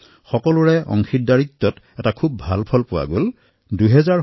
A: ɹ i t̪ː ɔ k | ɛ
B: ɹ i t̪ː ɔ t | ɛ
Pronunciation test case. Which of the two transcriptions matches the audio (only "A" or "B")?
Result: B